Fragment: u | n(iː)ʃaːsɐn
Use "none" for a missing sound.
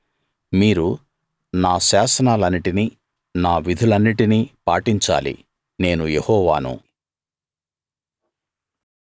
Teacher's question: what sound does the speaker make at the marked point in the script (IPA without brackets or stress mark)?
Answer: aː